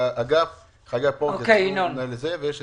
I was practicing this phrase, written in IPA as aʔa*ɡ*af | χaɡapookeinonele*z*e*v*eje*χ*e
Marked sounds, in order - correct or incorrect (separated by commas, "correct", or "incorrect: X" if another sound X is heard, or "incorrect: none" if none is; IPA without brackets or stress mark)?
correct, correct, correct, incorrect: ʃ